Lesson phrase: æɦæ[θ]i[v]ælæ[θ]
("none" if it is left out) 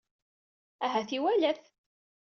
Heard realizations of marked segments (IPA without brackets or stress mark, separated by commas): θ, w, θ